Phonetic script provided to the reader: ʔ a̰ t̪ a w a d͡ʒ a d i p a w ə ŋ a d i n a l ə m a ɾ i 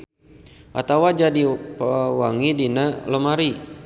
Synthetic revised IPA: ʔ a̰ t̪ a w a d͡ʒ a d i p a w a ŋ i d i n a l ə m a ɾ i